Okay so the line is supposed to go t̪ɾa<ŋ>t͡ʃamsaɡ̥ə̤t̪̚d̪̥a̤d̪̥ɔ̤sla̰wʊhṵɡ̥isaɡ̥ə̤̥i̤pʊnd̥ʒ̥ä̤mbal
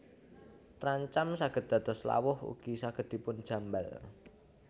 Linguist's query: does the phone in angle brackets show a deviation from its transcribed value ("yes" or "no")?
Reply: yes